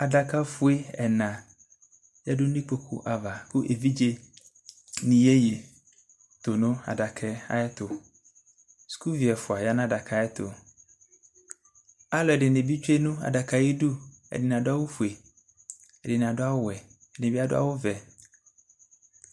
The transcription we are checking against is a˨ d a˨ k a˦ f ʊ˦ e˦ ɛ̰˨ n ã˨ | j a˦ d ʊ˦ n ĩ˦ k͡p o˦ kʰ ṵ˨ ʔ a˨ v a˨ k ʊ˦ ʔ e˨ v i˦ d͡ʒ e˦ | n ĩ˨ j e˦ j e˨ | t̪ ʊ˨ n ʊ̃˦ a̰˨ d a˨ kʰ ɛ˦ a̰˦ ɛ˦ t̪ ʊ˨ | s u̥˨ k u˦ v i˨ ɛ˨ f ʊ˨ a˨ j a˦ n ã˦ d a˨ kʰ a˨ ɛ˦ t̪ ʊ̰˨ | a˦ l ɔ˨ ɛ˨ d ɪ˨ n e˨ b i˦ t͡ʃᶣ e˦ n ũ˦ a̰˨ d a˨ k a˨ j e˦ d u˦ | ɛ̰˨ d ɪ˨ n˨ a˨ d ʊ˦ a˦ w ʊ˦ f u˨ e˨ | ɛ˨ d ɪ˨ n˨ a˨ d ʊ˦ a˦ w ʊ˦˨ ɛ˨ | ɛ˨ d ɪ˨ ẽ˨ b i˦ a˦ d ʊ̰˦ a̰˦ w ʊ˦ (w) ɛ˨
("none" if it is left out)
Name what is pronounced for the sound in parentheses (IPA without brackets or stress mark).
v